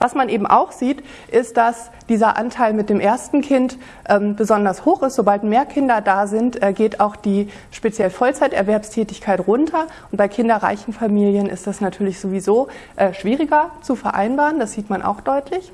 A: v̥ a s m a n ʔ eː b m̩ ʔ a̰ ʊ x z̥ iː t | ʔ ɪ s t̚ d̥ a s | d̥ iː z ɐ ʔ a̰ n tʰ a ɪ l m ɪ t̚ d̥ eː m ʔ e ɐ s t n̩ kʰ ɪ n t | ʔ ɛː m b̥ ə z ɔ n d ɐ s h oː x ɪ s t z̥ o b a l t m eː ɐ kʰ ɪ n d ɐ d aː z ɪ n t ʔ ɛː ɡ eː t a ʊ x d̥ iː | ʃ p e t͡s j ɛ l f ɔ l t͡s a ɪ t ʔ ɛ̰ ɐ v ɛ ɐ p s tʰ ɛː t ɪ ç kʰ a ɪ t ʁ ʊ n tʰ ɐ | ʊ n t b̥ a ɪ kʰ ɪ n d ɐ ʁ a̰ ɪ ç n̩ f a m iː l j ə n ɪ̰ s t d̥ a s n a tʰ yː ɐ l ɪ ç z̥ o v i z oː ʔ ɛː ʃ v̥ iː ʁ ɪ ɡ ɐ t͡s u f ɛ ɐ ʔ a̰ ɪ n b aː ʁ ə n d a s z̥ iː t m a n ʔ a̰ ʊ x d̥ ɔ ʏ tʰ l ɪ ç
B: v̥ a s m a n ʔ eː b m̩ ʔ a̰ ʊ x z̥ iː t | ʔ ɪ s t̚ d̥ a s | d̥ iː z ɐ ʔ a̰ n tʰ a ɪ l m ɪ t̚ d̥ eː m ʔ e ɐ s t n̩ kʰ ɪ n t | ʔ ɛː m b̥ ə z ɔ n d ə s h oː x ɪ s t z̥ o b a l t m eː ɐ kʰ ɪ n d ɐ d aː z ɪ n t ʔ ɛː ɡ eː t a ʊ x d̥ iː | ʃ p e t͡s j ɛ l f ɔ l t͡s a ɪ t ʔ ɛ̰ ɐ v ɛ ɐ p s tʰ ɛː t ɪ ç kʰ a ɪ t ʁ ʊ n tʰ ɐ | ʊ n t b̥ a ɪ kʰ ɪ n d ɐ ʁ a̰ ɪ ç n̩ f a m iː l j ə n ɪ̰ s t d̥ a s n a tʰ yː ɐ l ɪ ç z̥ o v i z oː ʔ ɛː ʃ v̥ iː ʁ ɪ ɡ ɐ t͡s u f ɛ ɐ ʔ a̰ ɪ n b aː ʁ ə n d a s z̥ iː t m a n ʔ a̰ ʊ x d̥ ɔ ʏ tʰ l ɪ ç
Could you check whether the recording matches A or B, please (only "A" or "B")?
A